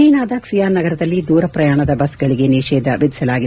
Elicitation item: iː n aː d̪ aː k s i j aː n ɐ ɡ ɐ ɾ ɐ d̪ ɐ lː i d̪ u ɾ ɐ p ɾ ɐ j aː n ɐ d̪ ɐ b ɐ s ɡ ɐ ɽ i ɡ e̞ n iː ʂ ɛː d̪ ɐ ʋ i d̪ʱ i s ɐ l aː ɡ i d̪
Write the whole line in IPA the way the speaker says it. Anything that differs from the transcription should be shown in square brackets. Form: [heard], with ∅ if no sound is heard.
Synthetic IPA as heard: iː n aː d̪ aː k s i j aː n ɐ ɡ ɐ ɾ ɐ d̪ ɐ lː i d̪ [uː] ɾ ɐ p ɾ ɐ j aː [ɳ] ɐ d̪ ɐ b ɐ s ɡ ɐ [ɭ] i ɡ e̞ n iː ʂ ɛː d̪ ɐ ʋ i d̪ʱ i s ɐ l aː ɡ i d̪